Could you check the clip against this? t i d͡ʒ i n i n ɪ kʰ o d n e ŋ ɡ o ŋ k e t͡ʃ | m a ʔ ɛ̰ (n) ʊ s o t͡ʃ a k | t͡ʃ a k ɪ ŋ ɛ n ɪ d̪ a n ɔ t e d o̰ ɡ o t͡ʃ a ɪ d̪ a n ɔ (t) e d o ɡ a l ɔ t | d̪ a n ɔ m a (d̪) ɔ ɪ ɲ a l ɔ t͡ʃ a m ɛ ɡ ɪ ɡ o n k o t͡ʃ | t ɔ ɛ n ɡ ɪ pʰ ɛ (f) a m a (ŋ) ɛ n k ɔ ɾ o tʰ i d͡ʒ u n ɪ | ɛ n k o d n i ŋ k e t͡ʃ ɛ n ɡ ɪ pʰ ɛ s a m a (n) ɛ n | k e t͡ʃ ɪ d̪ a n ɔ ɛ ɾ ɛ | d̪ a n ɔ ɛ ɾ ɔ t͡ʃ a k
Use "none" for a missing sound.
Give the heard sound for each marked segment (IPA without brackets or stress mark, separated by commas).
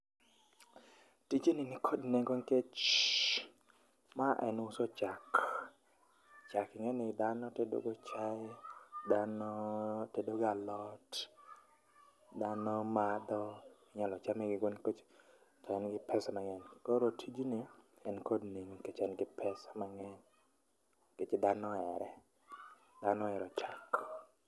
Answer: n, t, d̪, s, ŋ, ŋ